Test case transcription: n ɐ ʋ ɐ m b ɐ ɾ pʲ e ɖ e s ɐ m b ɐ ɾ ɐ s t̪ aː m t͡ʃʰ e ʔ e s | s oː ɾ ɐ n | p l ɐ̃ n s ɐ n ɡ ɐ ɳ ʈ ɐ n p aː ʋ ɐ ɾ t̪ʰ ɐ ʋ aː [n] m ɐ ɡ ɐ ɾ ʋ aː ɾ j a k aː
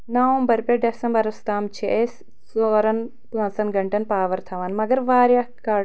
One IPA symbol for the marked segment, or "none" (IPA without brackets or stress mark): n